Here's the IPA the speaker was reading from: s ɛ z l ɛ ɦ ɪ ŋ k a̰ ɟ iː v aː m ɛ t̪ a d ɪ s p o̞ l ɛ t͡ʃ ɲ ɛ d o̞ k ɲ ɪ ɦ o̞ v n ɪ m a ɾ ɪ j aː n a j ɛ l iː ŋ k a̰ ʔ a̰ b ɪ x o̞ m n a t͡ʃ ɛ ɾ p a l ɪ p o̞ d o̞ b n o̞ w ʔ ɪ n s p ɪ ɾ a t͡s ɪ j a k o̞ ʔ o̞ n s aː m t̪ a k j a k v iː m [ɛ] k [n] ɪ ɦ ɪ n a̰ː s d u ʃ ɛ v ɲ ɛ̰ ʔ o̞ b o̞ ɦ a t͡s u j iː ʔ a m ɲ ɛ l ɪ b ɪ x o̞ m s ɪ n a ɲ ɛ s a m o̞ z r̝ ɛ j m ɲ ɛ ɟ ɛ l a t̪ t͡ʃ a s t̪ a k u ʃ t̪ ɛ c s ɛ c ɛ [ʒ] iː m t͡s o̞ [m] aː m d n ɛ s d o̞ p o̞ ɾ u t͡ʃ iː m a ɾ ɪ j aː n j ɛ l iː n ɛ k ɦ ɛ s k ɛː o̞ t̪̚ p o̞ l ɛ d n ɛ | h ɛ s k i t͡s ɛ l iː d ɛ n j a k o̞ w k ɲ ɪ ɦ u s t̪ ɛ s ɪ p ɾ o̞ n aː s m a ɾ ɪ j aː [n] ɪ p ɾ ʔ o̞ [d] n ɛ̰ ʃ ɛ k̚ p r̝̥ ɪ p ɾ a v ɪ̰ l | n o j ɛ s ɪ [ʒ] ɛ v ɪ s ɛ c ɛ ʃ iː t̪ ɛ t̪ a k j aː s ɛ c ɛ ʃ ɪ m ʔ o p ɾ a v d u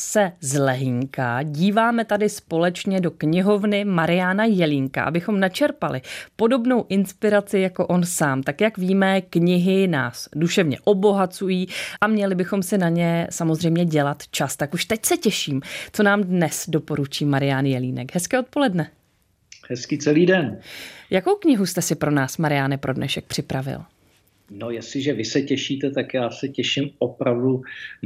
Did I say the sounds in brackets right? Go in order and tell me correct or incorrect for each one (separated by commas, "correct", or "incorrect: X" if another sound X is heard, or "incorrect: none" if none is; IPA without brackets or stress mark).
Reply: correct, incorrect: ɲ, incorrect: ʃ, incorrect: n, correct, correct, correct